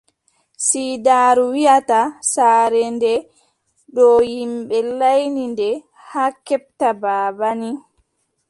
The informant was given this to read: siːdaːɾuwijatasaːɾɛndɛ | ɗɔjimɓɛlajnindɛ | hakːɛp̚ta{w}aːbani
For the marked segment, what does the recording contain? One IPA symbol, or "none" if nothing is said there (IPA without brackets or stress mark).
b